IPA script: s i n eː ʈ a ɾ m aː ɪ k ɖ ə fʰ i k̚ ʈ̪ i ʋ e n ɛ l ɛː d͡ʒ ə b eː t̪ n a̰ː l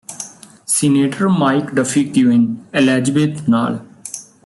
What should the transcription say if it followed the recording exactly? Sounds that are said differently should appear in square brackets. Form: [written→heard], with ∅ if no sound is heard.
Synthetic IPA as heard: s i n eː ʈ [a→ə] ɾ m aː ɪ k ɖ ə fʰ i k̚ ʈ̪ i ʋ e n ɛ l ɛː d͡ʒ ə b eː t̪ n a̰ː l